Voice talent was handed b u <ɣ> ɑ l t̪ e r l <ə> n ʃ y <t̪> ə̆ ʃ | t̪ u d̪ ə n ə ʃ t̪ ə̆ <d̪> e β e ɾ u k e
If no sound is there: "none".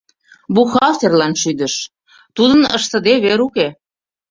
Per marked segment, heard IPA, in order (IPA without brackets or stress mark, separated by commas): x, ɑ, d̪, d̪